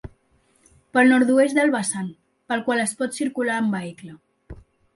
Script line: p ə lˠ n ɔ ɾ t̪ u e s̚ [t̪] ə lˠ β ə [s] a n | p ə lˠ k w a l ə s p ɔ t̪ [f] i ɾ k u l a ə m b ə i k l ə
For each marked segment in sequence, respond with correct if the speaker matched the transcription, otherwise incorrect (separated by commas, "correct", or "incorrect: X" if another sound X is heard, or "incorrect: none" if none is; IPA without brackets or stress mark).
incorrect: d̪, correct, incorrect: s